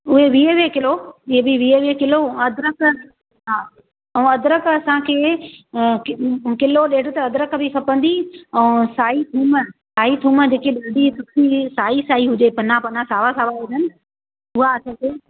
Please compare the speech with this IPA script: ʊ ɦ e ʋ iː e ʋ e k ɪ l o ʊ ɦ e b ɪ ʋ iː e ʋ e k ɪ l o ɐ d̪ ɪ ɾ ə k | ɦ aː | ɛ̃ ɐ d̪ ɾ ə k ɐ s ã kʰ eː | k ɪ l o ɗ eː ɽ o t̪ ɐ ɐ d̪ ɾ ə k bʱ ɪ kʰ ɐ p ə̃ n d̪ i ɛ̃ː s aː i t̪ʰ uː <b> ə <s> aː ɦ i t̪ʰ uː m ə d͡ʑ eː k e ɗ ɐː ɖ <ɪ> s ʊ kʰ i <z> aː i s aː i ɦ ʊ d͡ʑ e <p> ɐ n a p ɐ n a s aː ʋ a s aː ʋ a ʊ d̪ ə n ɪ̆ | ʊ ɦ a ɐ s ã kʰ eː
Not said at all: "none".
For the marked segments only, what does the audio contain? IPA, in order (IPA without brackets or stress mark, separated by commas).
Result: m, s, i, s, p